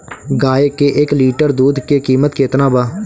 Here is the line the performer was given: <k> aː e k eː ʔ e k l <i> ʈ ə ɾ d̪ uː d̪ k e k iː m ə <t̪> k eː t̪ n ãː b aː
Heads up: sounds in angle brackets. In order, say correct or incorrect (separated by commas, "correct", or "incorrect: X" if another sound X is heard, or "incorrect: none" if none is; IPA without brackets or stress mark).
incorrect: ɡ, incorrect: iː, correct